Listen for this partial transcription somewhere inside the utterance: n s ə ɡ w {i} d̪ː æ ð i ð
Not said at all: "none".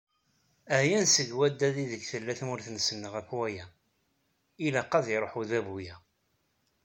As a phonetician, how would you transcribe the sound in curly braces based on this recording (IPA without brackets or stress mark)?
æ